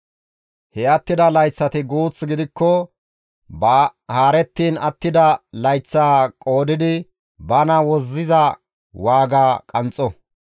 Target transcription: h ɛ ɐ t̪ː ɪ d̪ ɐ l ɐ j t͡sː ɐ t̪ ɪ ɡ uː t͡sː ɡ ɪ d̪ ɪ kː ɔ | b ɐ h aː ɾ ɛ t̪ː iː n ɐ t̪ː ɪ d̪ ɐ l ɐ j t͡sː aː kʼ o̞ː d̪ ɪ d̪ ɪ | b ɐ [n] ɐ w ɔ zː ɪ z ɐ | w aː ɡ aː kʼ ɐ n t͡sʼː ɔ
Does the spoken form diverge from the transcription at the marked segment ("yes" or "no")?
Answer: no